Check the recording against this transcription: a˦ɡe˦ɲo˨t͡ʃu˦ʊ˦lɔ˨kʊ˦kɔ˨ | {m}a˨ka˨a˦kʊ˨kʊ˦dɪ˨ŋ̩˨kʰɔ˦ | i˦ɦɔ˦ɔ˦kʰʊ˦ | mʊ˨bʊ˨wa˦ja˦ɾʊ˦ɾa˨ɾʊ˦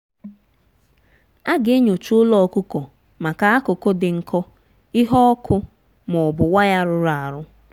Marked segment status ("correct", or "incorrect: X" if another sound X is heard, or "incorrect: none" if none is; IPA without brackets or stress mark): correct